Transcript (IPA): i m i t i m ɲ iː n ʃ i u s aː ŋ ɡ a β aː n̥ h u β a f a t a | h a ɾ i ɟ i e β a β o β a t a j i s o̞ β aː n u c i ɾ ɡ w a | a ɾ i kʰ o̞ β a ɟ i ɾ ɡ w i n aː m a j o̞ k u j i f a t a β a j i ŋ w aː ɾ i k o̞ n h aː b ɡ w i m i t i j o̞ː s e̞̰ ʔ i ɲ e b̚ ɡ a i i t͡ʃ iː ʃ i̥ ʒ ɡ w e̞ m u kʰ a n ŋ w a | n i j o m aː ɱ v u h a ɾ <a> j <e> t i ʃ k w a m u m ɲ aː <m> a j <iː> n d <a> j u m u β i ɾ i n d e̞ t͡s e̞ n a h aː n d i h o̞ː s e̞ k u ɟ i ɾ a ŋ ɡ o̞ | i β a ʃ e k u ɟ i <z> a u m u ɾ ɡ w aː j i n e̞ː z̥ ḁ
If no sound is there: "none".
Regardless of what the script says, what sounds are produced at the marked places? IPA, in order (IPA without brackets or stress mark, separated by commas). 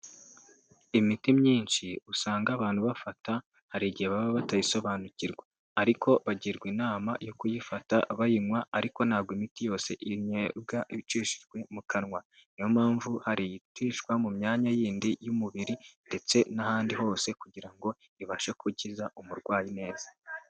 i, i, ɲ, iː, i, z